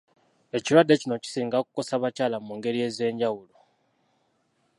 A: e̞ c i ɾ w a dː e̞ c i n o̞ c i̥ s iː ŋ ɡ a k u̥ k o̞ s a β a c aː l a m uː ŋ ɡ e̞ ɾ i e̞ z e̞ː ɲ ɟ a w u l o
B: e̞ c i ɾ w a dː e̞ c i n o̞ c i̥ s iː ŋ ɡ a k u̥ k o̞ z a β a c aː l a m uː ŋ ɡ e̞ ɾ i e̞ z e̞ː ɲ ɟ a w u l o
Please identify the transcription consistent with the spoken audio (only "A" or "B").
A